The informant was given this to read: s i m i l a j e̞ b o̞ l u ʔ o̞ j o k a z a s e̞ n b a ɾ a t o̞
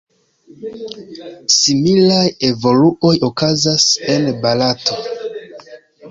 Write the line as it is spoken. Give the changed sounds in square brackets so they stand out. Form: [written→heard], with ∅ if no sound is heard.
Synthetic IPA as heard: s i m i l a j e̞ [b→v] o̞ l u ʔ o̞ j o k a z a s e̞ n b a [ɾ→l] a t o̞